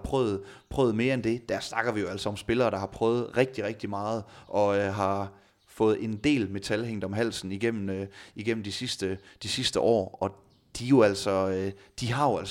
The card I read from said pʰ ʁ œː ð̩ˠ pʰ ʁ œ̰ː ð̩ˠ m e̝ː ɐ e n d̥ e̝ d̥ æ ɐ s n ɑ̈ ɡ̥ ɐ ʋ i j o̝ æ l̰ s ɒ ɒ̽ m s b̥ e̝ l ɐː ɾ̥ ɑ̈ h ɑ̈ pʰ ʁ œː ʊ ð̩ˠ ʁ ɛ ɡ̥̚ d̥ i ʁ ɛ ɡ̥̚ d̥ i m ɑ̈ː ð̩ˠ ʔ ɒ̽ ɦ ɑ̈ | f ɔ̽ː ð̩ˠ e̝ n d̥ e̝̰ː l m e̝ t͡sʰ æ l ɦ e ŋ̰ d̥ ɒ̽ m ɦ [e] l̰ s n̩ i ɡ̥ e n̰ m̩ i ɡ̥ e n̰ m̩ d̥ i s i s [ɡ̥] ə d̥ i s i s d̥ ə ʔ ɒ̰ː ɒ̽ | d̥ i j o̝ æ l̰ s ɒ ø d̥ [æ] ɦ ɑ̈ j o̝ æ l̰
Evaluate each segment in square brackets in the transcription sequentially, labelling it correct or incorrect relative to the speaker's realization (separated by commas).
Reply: incorrect, incorrect, incorrect